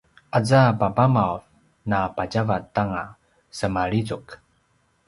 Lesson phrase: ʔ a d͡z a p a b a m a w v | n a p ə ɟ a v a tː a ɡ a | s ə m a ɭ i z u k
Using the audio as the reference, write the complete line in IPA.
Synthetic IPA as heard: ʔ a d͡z a p a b a m a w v | n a p a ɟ a v a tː a ŋ a | s ə m a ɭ i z u k